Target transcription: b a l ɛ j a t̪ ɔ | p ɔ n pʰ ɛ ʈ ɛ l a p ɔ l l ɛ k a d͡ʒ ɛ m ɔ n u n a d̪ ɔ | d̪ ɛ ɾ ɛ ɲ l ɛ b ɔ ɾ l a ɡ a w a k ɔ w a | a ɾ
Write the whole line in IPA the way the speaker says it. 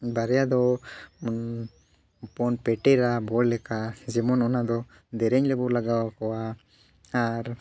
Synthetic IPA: b a ɾ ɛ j a d̪ ɔ | p ɔ n p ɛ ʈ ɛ ɾ a b ɔ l l ɛ k a d͡ʒ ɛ m ɔ n ɔ n a d̪ ɔ | d̪ ɛ ɾ ɛ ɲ l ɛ b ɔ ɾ l a ɡ a w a k ɔ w a | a ɾ